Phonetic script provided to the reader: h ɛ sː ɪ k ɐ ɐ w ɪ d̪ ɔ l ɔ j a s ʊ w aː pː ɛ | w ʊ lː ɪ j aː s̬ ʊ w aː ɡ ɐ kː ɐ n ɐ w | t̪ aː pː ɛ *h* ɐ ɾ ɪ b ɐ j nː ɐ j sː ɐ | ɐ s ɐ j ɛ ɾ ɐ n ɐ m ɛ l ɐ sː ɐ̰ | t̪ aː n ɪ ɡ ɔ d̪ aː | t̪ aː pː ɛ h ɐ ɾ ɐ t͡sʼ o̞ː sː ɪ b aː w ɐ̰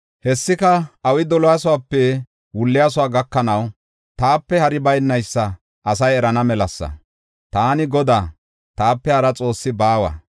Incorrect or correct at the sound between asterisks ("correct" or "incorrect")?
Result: correct